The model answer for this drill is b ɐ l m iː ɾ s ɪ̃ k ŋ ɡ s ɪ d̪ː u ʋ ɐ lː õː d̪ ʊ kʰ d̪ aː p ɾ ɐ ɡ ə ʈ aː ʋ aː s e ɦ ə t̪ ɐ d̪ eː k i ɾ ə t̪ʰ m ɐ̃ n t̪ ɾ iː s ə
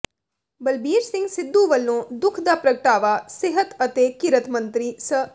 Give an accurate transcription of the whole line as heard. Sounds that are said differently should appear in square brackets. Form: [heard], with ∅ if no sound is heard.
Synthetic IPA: b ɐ l [b] iː ɾ s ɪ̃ [∅] ŋ ɡ s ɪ d̪ː u ʋ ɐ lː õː d̪ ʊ kʰ d̪ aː p ɾ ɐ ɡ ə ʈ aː ʋ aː s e ɦ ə t̪ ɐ [t̪] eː k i ɾ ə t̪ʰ m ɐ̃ n t̪ ɾ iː s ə